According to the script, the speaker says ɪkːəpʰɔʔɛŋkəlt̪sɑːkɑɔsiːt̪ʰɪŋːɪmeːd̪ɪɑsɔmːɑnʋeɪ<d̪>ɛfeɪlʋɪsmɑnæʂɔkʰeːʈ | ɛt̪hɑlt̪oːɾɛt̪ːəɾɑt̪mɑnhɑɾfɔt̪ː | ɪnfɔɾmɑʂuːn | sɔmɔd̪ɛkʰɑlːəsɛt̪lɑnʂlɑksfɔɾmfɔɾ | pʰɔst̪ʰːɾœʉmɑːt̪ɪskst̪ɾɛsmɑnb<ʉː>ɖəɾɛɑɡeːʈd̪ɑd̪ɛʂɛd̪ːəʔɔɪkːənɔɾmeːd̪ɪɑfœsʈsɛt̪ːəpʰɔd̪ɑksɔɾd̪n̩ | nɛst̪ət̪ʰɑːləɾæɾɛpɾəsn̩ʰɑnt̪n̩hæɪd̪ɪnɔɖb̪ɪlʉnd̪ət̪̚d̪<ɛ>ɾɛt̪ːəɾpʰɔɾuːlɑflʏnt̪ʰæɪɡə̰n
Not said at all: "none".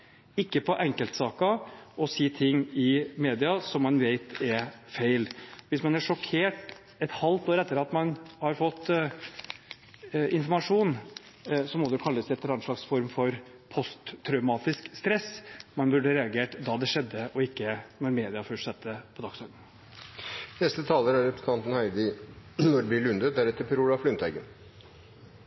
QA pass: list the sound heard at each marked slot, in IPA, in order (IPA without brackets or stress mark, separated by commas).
t̪, ʉ, æ